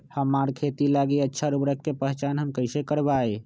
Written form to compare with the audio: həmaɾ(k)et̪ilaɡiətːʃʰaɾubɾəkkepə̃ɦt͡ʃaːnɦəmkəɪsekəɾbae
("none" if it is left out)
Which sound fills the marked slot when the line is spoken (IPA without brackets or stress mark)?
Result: kʰ